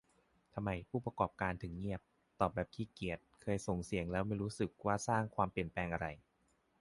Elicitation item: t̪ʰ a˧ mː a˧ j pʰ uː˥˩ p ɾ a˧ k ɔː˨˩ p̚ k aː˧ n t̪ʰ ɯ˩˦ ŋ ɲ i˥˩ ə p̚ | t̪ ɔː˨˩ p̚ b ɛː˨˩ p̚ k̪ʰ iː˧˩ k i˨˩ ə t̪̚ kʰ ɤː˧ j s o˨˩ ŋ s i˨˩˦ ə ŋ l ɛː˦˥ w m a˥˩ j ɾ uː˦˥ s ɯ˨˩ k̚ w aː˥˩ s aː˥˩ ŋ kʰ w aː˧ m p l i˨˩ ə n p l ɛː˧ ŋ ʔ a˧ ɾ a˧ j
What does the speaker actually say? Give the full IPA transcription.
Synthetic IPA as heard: t̪ʰ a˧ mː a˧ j pʰ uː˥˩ p ɾ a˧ k ɔː˨˩ p̚ k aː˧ n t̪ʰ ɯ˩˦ ŋ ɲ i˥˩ ə p̚ | t̪ ɔː˨˩ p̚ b ɛː˨˩ p̚ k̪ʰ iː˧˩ k i˨˩ ə t̪̚ kʰ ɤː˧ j s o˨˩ ŋ s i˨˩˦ ə ŋ l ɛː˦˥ w m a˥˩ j ɾ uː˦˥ s ɯ˨˩ k̚ w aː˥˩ s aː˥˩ ŋ kʰ w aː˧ m p l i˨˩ ə n p l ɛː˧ ŋ ʔ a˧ ɾ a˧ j

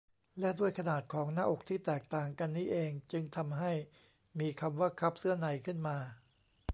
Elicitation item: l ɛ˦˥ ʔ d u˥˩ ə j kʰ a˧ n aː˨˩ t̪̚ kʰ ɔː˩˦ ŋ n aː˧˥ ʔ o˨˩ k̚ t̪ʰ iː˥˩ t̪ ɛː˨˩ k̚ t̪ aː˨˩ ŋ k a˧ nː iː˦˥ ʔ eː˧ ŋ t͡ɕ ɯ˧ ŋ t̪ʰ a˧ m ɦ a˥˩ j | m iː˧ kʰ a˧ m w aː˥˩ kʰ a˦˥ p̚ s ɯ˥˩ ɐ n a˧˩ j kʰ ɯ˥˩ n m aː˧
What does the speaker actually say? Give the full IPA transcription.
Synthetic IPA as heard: l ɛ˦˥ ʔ d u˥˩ ə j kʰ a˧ n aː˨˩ t̪̚ kʰ ɔː˩˦ ŋ n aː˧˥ ʔ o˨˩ k̚ t̪ʰ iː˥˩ t̪ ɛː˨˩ k̚ t̪ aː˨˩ ŋ k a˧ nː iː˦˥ ʔ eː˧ ŋ t͡ɕ ɯ˧ ŋ t̪ʰ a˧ m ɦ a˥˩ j | m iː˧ kʰ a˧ m w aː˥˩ kʰ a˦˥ p̚ s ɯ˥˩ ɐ n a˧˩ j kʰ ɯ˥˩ n m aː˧

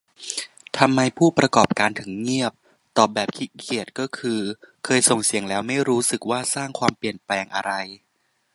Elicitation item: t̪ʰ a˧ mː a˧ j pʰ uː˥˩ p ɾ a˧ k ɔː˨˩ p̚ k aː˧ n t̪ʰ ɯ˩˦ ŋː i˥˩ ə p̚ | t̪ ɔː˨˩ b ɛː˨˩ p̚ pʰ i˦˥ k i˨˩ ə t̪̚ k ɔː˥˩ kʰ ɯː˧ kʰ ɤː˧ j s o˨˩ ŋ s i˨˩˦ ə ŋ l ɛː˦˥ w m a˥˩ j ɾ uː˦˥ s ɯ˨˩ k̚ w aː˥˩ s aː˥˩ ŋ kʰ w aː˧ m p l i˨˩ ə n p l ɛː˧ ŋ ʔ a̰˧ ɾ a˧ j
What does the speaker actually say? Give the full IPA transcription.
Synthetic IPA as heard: t̪ʰ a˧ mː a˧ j pʰ uː˥˩ p ɾ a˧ k ɔː˨˩ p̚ k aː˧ n t̪ʰ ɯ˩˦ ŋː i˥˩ ə p̚ | t̪ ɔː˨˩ b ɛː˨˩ p̚ kʰ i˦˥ kʰ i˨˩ ə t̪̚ k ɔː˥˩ kʰ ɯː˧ kʰ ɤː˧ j s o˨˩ ŋ s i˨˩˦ ə ŋ l ɛː˦˥ w m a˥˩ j ɾ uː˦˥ s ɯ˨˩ k̚ w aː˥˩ s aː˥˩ ŋ kʰ w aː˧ m p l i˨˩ ə n p l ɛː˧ ŋ ʔ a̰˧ ɾ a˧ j

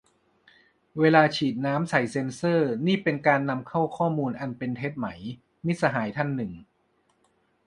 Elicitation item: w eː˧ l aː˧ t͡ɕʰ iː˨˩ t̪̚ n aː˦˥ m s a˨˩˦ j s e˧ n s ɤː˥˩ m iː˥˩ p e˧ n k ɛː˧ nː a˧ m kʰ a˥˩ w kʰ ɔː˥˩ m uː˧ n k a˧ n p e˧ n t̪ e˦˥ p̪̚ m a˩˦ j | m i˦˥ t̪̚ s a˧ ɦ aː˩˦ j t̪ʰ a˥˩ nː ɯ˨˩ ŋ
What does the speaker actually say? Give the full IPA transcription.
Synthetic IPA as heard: w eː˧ l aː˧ t͡ɕʰ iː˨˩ t̪̚ n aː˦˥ m s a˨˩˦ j s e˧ n s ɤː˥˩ n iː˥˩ p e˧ n k aː˧ nː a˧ m kʰ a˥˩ w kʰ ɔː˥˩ m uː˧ n ʔ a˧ n p e˧ n t̪ʰ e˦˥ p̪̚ m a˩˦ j | m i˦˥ t̪̚ s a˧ ɦ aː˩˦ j t̪ʰ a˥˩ nː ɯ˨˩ ŋ

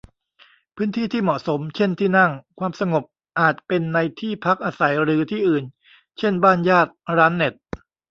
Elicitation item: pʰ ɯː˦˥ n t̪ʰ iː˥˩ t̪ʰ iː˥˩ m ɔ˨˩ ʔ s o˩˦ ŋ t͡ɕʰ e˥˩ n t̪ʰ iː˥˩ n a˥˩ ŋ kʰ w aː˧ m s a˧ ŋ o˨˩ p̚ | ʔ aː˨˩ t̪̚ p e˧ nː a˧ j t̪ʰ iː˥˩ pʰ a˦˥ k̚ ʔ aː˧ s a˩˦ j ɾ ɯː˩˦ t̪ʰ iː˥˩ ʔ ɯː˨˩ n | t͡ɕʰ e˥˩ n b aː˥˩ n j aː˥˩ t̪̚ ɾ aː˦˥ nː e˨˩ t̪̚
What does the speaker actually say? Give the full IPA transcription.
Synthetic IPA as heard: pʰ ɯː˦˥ n t̪ʰ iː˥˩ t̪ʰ iː˥˩ m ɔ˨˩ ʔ s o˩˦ m t͡ɕʰ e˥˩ n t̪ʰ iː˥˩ n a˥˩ ŋ kʰ w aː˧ m s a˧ ŋ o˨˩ p̚ | ʔ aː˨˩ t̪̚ p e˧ nː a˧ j t̪ʰ iː˥˩ pʰ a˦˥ k̚ ʔ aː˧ s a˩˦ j ɾ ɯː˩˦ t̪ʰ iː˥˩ ʔ ɯː˨˩ n | t͡ɕʰ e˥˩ n b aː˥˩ n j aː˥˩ t̪̚ ɾ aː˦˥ nː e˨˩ t̪̚

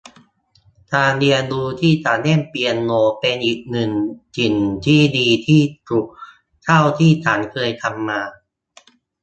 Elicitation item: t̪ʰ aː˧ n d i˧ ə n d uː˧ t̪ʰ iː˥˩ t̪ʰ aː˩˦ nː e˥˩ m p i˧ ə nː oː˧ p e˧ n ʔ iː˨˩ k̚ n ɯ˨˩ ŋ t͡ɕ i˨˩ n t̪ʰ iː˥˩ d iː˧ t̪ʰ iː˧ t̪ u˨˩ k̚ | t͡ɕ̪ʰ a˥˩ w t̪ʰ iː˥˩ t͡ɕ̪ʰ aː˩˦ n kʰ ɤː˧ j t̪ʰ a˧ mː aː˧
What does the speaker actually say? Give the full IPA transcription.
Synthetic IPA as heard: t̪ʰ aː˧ n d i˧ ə n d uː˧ t̪ʰ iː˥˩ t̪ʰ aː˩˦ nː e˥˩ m p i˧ ə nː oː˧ p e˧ n ʔ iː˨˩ k̚ n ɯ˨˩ ŋ t͡ɕ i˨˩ n t̪ʰ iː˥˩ d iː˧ t̪ʰ iː˥˩ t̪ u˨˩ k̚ | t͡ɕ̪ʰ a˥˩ w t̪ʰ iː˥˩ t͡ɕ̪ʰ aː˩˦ n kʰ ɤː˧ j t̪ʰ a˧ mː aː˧

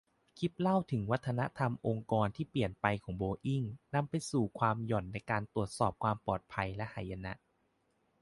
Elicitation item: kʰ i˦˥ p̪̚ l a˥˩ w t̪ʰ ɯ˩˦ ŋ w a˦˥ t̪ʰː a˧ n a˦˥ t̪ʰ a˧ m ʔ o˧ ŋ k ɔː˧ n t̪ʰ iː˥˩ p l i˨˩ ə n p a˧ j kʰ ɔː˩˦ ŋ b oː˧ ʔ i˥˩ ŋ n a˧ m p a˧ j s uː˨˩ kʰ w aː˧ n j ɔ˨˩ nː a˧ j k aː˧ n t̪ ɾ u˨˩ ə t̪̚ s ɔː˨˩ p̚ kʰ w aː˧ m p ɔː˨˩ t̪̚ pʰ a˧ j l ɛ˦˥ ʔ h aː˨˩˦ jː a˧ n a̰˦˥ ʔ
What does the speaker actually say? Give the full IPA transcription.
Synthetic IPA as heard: kʰ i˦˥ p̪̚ l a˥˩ w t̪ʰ ɯ˩˦ ŋ w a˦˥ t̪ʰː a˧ n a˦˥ t̪ʰ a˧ m ʔ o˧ ŋ k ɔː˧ n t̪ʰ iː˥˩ p l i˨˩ ə n p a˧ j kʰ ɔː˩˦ ŋ b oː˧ ʔ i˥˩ ŋ n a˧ m p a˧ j s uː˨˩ kʰ w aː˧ m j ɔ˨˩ nː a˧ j k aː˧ n t̪ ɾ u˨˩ ə t̪̚ s ɔː˨˩ p̚ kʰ w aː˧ m p ɔː˨˩ t̪̚ pʰ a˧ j l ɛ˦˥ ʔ h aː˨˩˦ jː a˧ n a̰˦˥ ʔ

